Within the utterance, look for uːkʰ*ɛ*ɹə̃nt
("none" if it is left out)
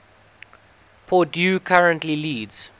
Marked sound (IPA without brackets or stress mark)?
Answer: a